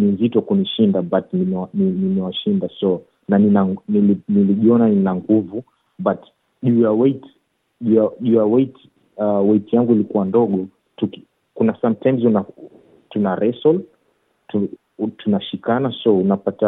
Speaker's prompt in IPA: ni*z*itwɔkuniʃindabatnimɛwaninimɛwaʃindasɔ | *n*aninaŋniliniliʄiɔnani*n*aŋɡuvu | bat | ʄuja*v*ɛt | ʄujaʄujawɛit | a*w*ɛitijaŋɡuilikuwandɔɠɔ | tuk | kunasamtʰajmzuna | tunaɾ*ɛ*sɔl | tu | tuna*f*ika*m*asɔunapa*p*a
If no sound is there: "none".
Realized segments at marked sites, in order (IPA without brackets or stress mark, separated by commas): z, n, n, w, w, ɛ, ʃ, n, t